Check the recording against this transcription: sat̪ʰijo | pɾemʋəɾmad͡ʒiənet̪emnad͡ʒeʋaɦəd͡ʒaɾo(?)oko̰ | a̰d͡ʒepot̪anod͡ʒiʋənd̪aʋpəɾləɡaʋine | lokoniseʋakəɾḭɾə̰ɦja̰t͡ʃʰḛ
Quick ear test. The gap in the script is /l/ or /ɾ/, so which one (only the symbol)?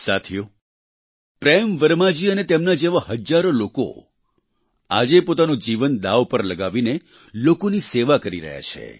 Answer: l